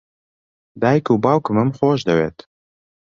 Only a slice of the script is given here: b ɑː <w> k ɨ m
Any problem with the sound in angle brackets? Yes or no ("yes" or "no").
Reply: no